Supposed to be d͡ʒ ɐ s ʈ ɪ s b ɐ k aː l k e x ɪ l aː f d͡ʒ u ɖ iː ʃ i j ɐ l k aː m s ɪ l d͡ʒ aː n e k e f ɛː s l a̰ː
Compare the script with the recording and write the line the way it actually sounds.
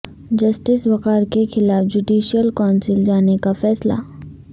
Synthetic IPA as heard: d͡ʒ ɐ s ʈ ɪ s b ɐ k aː ɾ k e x ɪ l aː f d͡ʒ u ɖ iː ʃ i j ə l k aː n s ɪ l d͡ʒ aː n e k a f ɛː s l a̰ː